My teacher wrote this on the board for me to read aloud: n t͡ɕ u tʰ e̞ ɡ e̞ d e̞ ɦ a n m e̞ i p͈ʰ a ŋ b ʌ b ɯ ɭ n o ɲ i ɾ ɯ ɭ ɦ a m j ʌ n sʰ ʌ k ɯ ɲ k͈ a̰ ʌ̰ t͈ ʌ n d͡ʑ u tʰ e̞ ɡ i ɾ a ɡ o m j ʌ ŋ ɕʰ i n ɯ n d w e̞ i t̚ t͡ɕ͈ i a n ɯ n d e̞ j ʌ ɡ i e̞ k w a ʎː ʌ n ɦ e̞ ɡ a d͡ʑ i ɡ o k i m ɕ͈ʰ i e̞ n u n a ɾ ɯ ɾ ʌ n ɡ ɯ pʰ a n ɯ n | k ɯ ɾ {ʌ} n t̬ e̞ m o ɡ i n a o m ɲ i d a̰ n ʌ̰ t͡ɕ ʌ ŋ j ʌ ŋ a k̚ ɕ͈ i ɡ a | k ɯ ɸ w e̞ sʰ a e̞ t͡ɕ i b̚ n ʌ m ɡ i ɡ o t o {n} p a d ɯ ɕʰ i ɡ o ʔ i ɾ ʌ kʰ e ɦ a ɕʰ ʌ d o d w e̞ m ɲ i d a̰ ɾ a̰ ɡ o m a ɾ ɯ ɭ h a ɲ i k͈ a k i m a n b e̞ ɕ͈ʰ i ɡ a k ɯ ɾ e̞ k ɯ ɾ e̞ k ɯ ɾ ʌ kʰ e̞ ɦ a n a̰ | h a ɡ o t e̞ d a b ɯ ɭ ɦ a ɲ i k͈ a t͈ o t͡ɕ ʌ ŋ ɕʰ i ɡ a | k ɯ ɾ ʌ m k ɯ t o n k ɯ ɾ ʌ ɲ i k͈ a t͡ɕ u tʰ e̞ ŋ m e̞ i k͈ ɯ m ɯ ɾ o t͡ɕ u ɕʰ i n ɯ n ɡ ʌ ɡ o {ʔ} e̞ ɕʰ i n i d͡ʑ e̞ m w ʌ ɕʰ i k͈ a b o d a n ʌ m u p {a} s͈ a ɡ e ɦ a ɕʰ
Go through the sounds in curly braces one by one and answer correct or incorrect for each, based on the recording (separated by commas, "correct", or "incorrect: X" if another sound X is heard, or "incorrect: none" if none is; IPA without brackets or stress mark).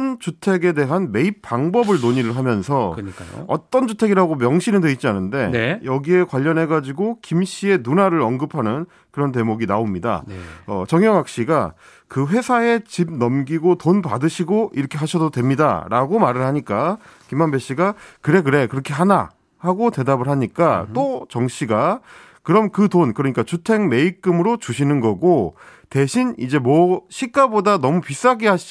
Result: correct, correct, incorrect: t, incorrect: i